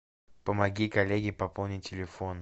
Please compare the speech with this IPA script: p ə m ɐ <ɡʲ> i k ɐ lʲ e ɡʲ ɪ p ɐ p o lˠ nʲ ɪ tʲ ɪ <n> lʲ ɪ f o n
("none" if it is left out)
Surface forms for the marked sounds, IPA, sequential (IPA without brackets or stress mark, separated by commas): ɡʲ, none